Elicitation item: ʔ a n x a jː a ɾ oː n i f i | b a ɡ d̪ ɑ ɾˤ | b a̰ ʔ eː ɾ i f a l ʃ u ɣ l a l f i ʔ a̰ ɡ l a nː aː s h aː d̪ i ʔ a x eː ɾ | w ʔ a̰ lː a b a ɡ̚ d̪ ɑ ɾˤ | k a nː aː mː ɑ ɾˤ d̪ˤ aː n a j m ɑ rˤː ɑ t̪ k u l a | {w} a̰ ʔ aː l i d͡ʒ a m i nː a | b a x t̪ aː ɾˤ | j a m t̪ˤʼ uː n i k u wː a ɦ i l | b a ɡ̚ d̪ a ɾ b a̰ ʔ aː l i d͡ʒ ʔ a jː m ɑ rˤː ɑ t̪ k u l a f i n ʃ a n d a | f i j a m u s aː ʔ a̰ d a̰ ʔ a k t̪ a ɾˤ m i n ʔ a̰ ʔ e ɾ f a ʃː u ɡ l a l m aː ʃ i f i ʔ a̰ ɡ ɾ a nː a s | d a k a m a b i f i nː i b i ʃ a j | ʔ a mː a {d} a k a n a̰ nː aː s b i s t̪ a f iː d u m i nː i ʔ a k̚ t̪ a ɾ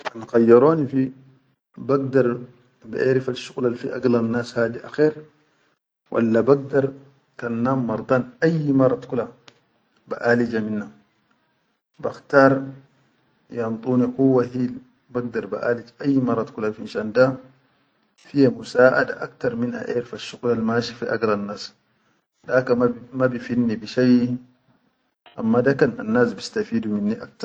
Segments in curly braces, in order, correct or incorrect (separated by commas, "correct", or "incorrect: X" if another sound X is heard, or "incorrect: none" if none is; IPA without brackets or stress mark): incorrect: b, correct